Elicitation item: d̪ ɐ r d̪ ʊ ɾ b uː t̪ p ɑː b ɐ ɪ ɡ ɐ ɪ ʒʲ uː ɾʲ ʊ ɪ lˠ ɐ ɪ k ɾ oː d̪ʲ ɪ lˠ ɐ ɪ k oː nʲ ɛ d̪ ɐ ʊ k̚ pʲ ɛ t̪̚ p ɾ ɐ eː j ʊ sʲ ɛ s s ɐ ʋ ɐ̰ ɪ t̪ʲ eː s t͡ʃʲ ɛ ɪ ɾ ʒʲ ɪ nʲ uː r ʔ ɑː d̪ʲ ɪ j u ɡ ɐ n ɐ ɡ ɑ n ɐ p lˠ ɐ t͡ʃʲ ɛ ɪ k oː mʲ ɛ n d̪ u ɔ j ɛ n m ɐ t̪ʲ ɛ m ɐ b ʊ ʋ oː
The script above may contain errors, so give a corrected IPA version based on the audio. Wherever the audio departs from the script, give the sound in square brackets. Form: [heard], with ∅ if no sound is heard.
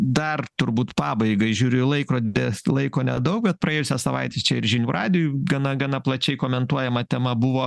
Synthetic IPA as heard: d̪ ɐ r [t̪] ʊ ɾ b uː t̪ p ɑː b ɐ ɪ ɡ ɐ ɪ ʒʲ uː ɾʲ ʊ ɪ lˠ ɐ ɪ k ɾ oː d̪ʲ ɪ lˠ ɐ ɪ k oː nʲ ɛ d̪ ɐ ʊ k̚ [bʲ] ɛ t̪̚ p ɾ ɐ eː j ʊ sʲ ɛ s s ɐ ʋ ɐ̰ ɪ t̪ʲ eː s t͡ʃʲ ɛ ɪ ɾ ʒʲ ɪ nʲ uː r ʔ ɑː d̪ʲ ɪ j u ɡ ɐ n ɐ ɡ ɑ n ɐ p lˠ ɐ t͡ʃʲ ɛ ɪ k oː mʲ ɛ n [t̪] u ɔ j ɛ [∅] m ɐ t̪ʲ ɛ m ɐ b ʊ ʋ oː